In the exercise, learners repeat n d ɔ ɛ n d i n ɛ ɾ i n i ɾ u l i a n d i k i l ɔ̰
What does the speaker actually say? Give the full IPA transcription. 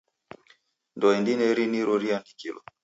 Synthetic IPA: n d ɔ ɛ n d i n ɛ ɾ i n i ɾ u ɾ i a n d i k i l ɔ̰